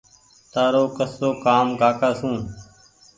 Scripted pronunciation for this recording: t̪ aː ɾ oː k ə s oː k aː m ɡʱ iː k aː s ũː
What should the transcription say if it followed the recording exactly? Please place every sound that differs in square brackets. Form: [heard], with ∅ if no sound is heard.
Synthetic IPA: t̪ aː ɾ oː k ə s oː k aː m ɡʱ [aː] k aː s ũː